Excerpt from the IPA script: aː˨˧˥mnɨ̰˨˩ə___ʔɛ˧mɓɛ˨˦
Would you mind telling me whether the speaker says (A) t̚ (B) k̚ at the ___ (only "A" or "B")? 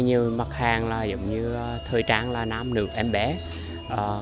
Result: B